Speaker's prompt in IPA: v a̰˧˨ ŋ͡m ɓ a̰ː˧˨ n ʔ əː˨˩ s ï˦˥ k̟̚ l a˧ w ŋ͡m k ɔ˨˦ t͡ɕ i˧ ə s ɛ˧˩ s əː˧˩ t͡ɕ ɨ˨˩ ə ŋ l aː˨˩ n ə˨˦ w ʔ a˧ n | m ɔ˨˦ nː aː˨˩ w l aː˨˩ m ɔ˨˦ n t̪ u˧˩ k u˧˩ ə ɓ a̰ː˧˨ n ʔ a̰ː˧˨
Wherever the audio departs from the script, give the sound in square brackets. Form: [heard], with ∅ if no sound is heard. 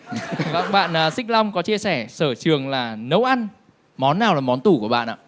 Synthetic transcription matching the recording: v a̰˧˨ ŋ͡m ɓ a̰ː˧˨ n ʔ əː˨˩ s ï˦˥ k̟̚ l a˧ w ŋ͡m k ɔ˨˦ t͡ɕ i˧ ə s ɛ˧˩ s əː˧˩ t͡ɕ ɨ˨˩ ə ŋ l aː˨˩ n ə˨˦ w ʔ a˧ n | m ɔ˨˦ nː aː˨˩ w l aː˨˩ m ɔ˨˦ n t̪ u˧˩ k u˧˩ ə ɓ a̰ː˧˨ n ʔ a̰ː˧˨